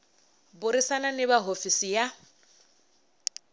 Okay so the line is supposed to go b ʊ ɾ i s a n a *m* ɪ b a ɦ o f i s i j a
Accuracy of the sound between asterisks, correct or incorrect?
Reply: incorrect